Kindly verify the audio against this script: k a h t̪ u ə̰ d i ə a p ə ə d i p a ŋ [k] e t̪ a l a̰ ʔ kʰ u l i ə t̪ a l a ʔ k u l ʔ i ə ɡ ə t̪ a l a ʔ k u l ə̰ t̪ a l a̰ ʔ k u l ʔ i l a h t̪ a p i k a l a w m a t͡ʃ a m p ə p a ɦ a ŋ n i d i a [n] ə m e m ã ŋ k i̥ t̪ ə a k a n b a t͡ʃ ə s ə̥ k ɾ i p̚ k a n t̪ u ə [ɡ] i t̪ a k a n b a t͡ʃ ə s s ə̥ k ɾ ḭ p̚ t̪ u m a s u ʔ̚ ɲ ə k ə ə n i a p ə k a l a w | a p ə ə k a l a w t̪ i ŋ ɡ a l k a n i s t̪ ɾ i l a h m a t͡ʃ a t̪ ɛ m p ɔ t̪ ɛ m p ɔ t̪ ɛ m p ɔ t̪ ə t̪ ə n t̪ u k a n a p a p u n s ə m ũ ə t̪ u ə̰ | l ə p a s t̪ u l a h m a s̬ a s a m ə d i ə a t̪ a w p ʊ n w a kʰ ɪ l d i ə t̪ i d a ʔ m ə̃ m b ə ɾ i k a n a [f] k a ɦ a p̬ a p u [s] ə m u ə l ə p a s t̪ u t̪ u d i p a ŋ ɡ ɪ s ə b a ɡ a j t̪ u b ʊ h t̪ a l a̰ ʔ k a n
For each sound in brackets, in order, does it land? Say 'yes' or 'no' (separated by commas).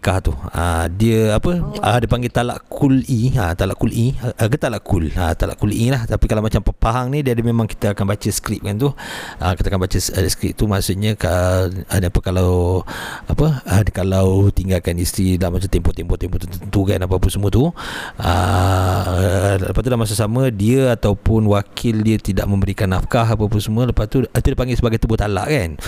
no, no, no, yes, yes